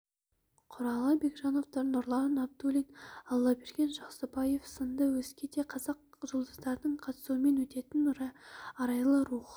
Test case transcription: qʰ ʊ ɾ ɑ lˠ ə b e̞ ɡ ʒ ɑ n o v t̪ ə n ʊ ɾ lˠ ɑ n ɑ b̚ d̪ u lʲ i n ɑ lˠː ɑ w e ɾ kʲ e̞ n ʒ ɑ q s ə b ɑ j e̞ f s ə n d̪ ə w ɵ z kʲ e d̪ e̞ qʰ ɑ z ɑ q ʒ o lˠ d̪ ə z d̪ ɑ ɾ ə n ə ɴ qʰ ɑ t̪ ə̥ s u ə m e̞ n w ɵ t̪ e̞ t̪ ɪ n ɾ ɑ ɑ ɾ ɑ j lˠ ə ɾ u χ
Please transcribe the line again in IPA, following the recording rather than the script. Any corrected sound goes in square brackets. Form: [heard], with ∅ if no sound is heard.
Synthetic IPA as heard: qʰ ʊ ɾ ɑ lˠ ə b e̞ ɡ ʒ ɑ n o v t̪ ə n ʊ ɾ lˠ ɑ n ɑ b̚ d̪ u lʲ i n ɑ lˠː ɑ [b] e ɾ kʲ e̞ n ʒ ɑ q s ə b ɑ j e̞ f s ə n d̪ ə w ɵ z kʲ e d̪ e̞ qʰ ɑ z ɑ q ʒ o lˠ d̪ ə z d̪ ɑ ɾ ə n ə ɴ qʰ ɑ t̪ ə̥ s u ə m e̞ n w ɵ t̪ e̞ t̪ ɪ n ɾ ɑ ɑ ɾ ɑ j lˠ ə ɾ u χ

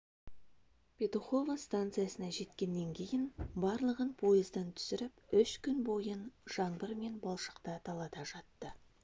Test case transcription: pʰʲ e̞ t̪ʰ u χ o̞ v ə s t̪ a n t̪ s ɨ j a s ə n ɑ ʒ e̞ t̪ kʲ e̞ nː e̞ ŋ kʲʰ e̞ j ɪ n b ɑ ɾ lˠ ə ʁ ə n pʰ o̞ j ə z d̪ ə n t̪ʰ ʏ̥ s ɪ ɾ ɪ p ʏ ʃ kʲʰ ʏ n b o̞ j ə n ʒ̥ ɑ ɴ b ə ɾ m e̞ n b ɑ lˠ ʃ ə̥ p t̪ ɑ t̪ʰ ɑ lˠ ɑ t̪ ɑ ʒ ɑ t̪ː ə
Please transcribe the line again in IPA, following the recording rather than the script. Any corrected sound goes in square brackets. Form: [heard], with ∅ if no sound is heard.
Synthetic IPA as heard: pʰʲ e̞ [t̪] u χ o̞ v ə s t̪ a n t̪ s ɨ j a s ə n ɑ ʒ e̞ t̪ kʲ e̞ nː e̞ ŋ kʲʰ e̞ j ɪ n b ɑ ɾ lˠ ə ʁ ə n pʰ o̞ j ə z d̪ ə n t̪ʰ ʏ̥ s ɪ ɾ ɪ p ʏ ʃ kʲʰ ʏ n b o̞ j ə n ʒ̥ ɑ ɴ b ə ɾ m e̞ n b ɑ lˠ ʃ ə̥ [q] t̪ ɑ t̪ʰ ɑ lˠ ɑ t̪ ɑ ʒ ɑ t̪ː ə

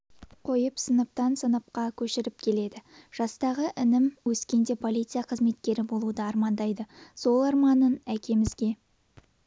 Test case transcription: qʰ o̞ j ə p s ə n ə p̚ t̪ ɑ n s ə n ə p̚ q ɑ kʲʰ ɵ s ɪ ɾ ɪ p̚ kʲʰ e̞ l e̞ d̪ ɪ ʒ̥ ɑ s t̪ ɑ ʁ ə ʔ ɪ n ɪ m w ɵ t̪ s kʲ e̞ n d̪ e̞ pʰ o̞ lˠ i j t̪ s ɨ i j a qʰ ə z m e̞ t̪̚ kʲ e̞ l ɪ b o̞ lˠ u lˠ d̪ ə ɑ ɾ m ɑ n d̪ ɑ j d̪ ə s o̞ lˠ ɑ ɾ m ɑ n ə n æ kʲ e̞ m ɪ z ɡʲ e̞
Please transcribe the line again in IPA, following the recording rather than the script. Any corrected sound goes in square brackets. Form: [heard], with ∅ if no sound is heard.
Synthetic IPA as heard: qʰ o̞ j ə p s ə n ə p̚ t̪ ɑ n s ə n ə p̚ q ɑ kʲʰ ɵ [ʃ] ɪ ɾ ɪ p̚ kʲʰ e̞ l e̞ d̪ ɪ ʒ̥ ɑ s t̪ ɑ ʁ ə ʔ ɪ n ɪ m w ɵ [∅] s kʲ e̞ n d̪ e̞ pʰ o̞ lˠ i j t̪ s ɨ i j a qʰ ə z m e̞ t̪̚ kʲ e̞ [ɾ] ɪ b o̞ lˠ u [∅] d̪ ə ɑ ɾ m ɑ n d̪ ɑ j d̪ ə s o̞ lˠ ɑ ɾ m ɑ n ə n æ kʲ e̞ m ɪ z ɡʲ e̞

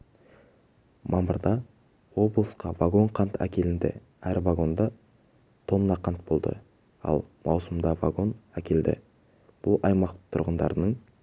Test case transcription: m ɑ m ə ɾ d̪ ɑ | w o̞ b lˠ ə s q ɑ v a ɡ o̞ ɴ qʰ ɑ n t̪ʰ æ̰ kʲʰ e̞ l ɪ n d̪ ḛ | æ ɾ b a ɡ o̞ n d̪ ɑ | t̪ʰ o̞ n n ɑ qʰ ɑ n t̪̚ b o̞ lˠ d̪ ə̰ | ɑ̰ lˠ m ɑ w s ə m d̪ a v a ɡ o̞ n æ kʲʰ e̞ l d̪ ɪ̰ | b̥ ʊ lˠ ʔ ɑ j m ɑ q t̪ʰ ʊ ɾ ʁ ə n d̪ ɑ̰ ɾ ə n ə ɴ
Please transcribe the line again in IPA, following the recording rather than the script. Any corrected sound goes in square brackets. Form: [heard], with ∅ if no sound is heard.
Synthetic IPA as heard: m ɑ m ə ɾ d̪ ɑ | w o̞ b lˠ ə s q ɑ v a ɡ o̞ ɴ qʰ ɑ n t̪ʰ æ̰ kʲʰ e̞ l ɪ n d̪ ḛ | æ ɾ [v] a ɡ o̞ n d̪ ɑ | t̪ʰ o̞ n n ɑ qʰ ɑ n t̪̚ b o̞ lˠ d̪ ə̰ | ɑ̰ lˠ m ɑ w s ə m d̪ [ɑ] v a ɡ o̞ n æ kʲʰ e̞ l d̪ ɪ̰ | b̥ ʊ lˠ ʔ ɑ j m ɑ q t̪ʰ ʊ ɾ ʁ ə n d̪ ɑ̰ ɾ ə n ə ɴ

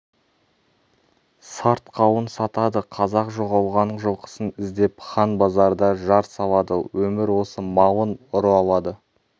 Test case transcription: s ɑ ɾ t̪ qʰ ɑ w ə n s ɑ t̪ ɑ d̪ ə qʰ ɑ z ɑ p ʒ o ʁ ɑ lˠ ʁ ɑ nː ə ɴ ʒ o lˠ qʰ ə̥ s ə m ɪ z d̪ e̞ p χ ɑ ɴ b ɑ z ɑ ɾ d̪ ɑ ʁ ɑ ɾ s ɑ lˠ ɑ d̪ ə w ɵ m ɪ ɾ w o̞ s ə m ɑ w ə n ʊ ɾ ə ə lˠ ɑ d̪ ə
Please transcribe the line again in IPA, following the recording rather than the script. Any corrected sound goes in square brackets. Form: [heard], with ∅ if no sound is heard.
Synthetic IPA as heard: s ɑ ɾ t̪ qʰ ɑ w ə n s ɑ t̪ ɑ d̪ ə qʰ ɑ z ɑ [q] ʒ o ʁ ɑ lˠ ʁ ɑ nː ə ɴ ʒ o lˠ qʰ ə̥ s ə [n] ɪ z d̪ e̞ p χ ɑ [n] b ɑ z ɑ ɾ d̪ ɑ [ʒ] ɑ ɾ s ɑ lˠ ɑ d̪ ə w ɵ m ɪ ɾ w o̞ s ə m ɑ w ə n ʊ ɾ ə [ɑ] lˠ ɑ d̪ ə

